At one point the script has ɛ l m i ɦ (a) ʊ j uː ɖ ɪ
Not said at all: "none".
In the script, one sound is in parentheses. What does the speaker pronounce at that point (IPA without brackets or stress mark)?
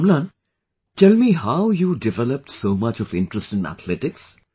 a